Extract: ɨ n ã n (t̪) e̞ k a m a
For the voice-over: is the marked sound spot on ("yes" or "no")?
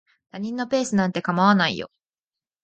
yes